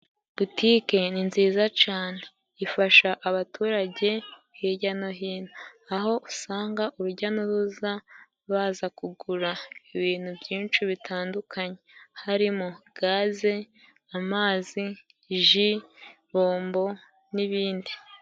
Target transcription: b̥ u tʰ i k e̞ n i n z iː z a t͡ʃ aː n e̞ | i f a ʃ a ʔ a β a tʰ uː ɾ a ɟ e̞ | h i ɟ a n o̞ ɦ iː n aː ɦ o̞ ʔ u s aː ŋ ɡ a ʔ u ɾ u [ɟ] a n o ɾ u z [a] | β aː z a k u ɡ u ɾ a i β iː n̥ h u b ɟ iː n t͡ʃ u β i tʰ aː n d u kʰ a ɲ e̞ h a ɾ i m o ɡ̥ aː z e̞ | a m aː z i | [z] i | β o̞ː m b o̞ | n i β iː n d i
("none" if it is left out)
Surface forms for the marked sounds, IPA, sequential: ɟ, a, ʒ

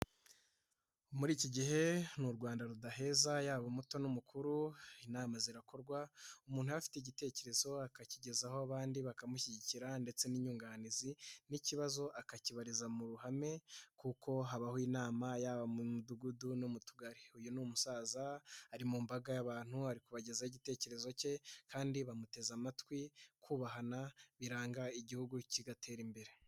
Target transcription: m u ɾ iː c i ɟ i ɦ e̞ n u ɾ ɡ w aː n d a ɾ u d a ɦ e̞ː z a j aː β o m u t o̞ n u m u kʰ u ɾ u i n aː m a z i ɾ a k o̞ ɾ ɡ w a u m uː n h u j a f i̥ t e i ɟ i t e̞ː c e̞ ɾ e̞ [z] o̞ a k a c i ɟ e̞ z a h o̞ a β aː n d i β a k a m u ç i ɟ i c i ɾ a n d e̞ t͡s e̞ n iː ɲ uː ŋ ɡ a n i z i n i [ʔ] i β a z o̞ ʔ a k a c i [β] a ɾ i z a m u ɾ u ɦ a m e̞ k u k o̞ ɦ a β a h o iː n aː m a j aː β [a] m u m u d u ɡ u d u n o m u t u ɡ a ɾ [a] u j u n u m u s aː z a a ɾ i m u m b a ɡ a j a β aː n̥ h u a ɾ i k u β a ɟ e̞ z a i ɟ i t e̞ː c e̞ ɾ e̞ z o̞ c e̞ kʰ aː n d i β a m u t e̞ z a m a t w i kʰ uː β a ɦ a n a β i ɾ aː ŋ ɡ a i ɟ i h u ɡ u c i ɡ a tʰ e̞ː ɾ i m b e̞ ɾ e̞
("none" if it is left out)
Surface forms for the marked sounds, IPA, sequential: z, c, β, a, i

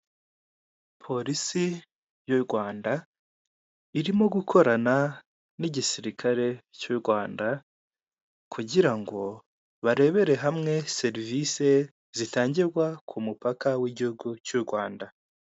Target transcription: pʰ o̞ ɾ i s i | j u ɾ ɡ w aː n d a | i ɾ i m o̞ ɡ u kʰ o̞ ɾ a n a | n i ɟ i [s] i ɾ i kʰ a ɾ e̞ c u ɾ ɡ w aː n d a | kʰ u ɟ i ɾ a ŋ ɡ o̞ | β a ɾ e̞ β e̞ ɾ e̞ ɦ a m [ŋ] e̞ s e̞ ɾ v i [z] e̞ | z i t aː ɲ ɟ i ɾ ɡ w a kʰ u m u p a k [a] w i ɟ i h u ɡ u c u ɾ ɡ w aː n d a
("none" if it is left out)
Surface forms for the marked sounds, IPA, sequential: s, ŋ, s, a

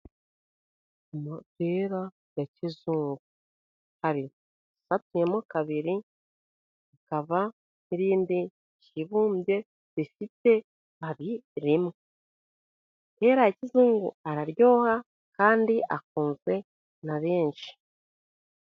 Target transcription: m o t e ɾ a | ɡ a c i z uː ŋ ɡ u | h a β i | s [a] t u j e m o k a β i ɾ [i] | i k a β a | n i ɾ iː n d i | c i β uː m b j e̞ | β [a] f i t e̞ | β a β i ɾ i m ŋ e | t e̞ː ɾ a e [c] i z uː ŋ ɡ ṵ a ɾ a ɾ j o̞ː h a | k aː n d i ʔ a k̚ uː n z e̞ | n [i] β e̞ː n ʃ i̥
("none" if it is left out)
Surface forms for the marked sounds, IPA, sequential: a, i, i, c, a

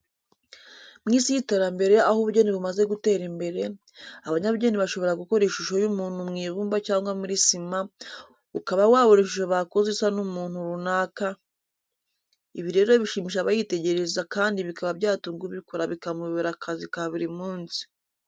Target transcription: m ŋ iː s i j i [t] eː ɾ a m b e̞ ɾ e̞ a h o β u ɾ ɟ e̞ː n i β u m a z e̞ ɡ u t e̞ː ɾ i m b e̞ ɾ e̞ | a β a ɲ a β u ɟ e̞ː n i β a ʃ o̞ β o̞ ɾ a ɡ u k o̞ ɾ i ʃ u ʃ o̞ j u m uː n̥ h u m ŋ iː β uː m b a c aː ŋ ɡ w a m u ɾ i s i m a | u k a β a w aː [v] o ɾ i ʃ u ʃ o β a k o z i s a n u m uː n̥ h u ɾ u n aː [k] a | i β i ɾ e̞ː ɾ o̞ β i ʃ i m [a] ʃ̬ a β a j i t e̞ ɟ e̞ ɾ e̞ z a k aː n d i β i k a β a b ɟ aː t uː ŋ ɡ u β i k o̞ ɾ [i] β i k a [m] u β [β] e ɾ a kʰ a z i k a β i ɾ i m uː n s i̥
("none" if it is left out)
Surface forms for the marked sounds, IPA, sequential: t, β, k, i, a, m, β

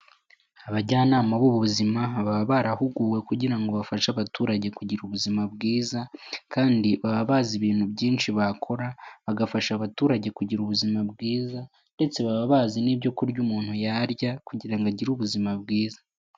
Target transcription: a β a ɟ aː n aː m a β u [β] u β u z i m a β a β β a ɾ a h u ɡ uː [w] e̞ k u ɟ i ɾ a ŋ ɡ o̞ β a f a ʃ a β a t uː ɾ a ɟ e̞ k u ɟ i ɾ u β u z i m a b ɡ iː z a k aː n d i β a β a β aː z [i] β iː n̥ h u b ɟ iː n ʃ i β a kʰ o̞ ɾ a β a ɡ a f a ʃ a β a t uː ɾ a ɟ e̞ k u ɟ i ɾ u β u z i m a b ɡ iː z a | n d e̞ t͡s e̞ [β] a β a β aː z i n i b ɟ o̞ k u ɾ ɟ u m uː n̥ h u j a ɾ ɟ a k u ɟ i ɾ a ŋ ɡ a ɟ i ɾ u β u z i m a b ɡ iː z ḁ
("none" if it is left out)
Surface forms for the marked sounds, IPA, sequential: β, w, i, β

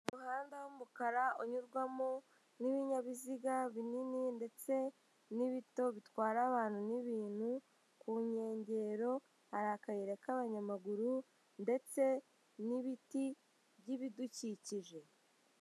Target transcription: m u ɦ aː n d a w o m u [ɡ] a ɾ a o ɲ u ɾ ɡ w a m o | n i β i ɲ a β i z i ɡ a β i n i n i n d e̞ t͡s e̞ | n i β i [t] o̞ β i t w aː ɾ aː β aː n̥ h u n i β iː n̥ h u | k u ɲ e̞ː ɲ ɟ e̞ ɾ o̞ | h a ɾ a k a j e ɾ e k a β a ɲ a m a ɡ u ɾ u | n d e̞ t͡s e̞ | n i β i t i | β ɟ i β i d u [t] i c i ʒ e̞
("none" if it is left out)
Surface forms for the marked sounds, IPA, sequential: k, t, c

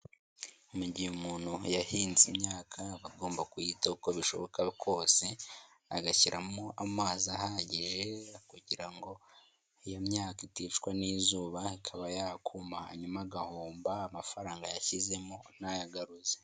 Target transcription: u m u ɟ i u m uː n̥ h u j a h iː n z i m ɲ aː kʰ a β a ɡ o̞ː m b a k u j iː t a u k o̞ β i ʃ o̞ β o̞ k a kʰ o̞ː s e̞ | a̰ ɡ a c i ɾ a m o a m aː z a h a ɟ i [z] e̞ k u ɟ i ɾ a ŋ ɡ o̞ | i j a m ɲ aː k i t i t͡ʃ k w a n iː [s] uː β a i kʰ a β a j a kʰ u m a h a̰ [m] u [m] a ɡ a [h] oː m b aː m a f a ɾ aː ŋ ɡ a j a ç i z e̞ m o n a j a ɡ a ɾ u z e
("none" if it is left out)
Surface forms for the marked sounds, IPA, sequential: ʒ, z, ɲ, m, h

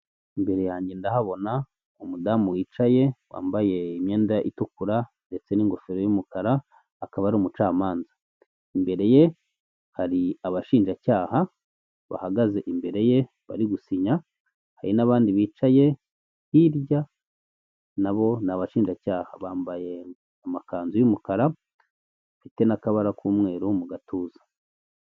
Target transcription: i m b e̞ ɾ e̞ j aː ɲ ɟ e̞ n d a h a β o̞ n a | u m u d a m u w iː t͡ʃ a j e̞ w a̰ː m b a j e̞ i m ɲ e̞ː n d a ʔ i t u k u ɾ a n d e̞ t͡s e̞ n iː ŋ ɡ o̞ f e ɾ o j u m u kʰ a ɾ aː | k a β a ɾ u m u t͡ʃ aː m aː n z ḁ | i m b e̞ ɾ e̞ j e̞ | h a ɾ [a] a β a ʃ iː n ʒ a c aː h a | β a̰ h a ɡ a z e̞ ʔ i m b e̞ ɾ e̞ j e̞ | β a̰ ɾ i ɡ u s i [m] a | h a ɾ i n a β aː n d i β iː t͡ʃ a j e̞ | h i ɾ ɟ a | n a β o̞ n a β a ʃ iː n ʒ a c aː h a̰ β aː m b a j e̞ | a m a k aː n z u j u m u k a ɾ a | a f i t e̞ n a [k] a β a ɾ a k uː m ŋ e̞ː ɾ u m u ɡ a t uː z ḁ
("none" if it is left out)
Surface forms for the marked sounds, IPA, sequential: i, ɲ, k

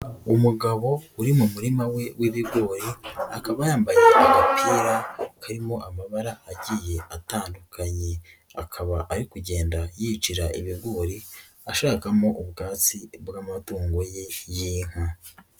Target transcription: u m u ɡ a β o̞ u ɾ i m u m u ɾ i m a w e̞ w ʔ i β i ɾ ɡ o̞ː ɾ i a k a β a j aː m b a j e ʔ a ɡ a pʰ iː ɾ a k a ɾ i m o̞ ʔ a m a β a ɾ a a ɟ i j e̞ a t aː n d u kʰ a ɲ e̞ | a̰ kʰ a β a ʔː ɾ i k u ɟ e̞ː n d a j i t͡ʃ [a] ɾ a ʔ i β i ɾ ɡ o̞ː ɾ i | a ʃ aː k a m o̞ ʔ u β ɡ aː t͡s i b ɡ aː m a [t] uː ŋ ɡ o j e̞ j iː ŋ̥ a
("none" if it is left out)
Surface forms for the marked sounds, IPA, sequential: i, t

